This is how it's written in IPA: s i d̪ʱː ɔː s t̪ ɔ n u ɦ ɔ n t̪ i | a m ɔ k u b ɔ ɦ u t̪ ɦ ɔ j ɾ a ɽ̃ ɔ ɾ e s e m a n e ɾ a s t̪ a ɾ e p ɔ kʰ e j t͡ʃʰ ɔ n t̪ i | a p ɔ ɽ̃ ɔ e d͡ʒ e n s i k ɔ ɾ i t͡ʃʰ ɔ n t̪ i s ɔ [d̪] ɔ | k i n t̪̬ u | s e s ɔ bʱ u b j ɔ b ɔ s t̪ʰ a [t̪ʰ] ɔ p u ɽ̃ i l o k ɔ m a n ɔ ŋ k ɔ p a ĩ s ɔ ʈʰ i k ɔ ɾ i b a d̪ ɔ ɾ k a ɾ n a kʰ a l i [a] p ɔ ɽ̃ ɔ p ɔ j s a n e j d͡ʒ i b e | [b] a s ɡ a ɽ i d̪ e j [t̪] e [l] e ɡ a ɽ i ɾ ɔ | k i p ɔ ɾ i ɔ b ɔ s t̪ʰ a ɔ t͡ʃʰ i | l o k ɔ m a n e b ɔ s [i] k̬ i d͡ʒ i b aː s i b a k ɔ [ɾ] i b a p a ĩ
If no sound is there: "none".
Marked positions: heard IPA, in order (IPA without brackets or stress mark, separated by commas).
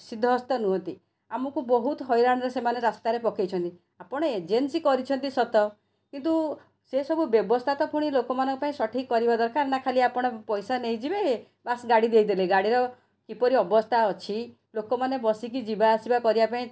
t̪, t̪, a, b, d̪, l, i, ɾ